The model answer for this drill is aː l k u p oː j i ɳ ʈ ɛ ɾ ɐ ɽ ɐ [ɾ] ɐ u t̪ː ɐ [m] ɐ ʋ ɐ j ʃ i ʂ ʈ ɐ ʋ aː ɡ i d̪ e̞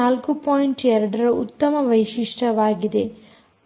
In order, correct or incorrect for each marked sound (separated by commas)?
correct, correct